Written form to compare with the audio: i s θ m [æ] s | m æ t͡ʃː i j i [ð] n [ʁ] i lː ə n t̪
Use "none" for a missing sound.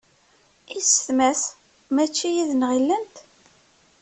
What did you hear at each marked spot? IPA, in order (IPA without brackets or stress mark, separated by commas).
æ, ð, ʁ